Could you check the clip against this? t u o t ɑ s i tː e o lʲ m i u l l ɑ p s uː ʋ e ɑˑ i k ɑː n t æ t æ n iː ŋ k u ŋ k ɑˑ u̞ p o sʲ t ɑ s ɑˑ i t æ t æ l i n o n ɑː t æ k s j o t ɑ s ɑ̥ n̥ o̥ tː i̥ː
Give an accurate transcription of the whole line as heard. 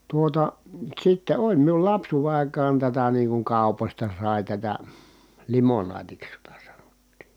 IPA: t u o t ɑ s i tː e o lʲ m i u l l ɑ p s uː ʋ e ɑˑ i k ɑː n t æ t æ n iː ŋ k u ŋ k ɑˑ u̞ p o sʲ t ɑ s ɑˑ i t æ t æ l i m o n ɑː t i k s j o t ɑ s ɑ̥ n̥ o̥ tː i̥ː